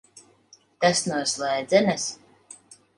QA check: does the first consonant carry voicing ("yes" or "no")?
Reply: no